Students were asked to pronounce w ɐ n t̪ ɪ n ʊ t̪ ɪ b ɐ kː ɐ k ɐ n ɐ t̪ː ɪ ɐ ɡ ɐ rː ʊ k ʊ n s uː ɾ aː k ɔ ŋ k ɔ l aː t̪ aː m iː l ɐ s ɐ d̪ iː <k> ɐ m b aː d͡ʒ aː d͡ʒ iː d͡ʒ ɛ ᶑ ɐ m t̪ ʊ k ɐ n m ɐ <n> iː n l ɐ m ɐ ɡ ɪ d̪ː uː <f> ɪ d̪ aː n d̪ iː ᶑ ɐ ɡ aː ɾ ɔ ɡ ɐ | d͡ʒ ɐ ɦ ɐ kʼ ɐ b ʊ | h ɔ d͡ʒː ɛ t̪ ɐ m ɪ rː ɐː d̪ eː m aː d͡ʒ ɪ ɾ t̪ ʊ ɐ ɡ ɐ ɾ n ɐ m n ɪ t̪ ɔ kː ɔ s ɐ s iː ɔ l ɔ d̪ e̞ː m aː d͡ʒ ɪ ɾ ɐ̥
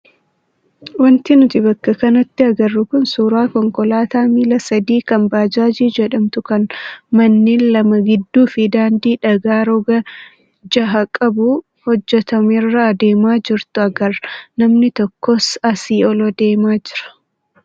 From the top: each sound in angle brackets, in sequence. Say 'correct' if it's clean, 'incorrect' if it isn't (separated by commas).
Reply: correct, incorrect, correct